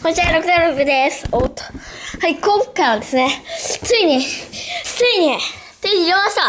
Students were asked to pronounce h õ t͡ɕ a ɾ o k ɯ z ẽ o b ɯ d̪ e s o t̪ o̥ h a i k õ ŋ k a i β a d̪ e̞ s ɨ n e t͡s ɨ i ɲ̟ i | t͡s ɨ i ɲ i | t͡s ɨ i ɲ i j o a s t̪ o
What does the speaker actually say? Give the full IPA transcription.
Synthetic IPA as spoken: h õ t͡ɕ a ɾ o k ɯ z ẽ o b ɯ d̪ e s o t̪ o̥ h a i k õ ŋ k a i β a d̪ e̞ s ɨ n e t͡s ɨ i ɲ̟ i | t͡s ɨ i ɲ i | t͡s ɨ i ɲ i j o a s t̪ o